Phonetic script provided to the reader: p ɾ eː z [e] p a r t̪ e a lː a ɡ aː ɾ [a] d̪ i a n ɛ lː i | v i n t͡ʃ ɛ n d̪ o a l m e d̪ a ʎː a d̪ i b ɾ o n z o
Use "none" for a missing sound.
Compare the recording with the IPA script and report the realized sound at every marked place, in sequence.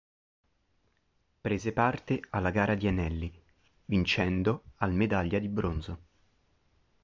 e, a

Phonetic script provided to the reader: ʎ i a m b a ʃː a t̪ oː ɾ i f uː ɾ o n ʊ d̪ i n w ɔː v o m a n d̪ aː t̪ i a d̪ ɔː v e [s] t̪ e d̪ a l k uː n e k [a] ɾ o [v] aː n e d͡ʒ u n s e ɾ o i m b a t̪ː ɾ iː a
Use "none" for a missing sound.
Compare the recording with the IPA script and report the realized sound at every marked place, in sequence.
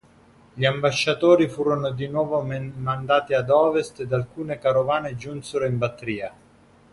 s, a, v

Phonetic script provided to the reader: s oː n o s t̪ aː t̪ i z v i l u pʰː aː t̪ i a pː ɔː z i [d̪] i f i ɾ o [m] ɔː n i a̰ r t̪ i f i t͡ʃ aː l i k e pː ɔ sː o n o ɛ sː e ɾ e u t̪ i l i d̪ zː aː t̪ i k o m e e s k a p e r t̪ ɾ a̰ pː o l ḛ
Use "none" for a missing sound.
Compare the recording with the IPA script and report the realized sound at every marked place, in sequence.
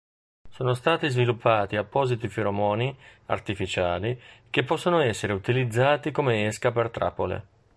t̪, m

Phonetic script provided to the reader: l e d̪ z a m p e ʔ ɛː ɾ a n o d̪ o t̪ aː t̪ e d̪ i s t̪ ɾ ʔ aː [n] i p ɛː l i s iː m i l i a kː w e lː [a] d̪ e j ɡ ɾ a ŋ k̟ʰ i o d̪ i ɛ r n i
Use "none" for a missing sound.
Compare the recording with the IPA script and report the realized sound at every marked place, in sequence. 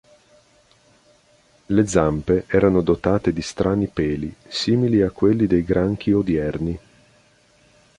n, i

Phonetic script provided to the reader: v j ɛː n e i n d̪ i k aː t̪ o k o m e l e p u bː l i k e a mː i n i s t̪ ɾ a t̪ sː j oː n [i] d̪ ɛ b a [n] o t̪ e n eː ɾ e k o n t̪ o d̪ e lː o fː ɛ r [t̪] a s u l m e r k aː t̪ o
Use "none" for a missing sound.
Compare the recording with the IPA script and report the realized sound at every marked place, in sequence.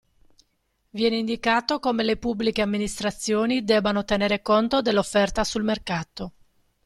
i, n, t̪

